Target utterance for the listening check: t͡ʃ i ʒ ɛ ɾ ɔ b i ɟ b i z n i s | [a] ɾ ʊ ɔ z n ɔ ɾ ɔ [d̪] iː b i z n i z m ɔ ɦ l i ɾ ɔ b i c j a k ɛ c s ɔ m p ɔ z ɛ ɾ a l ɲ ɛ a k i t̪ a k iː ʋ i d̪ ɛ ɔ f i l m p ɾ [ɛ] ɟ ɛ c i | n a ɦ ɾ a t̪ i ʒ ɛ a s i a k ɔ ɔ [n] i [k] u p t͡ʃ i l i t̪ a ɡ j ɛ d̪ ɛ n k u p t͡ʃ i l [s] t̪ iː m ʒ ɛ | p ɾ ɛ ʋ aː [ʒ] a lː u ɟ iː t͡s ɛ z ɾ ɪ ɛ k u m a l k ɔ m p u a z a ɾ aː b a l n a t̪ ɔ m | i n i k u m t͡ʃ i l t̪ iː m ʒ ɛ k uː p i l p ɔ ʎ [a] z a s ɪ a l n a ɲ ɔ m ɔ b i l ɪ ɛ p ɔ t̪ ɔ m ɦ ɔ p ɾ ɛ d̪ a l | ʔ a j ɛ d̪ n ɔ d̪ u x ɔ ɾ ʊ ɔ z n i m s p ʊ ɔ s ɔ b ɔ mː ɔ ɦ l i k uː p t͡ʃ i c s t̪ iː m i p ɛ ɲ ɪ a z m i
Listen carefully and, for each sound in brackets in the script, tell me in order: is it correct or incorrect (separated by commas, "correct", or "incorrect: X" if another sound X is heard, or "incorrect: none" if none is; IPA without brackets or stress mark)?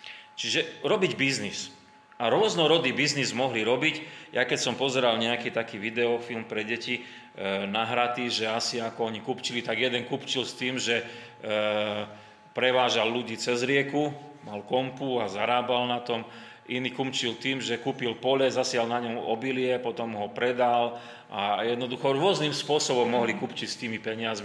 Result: correct, correct, correct, incorrect: ɲ, correct, correct, correct, incorrect: ɛ